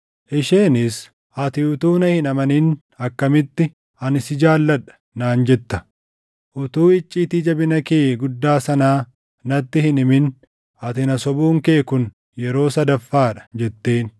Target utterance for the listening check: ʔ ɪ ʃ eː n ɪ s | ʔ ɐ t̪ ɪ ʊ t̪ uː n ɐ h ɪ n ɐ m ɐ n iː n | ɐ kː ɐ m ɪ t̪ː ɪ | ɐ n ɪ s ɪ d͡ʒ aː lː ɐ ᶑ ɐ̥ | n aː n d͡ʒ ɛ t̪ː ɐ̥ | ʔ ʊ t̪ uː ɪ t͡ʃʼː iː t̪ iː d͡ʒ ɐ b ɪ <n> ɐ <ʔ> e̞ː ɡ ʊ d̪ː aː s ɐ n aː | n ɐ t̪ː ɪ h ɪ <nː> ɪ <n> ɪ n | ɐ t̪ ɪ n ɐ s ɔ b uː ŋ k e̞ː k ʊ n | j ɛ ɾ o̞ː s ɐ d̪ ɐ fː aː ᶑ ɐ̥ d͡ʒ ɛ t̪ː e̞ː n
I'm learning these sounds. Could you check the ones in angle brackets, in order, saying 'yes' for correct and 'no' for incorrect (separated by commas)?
yes, no, no, no